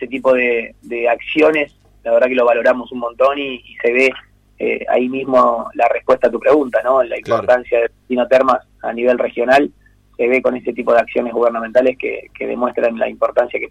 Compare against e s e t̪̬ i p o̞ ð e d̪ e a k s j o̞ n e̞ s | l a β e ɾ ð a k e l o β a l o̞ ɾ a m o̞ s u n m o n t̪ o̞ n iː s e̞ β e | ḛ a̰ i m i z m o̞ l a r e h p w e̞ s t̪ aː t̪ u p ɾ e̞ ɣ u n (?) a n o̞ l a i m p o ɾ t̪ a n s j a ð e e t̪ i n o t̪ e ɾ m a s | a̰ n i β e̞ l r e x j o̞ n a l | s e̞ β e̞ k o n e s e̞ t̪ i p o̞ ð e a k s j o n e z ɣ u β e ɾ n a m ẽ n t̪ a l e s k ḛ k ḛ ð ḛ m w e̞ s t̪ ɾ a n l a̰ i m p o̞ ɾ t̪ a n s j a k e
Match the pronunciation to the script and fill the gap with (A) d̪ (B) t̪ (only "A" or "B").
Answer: B